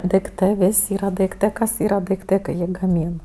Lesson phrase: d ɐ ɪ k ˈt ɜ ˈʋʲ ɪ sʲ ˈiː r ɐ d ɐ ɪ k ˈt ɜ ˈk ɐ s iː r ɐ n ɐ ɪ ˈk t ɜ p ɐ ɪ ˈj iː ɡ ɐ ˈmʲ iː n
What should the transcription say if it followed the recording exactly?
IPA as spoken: d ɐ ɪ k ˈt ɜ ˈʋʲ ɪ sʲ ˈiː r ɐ d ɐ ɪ k ˈt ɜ ˈk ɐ s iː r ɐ d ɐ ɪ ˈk t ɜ k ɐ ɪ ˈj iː ɡ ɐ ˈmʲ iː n